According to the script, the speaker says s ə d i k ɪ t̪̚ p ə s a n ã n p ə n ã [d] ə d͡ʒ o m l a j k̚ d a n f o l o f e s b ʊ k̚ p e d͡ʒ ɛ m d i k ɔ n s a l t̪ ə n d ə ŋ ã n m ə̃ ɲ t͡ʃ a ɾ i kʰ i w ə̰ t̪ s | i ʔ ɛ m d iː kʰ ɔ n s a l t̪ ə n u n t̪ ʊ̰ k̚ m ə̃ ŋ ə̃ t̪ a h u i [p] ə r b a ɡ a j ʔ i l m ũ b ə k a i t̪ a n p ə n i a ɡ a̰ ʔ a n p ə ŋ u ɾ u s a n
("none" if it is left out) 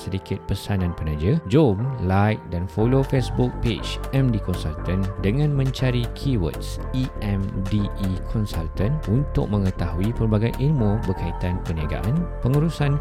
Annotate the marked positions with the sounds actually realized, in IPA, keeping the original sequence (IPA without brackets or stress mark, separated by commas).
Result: d͡ʒ, p